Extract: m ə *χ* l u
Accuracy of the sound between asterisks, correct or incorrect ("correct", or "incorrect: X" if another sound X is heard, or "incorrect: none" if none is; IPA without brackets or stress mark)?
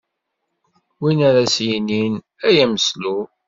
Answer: incorrect: s